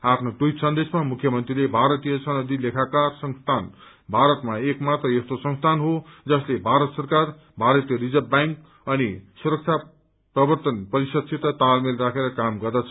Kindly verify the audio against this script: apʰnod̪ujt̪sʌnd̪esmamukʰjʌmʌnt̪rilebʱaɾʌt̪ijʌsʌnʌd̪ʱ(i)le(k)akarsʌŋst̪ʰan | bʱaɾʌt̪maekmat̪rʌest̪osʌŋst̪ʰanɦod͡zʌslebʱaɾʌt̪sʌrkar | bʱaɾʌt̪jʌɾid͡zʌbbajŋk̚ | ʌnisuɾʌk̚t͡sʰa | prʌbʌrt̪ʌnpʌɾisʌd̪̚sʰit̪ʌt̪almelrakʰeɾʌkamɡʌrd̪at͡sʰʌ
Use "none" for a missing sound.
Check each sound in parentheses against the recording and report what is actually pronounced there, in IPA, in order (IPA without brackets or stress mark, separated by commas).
i, kʰ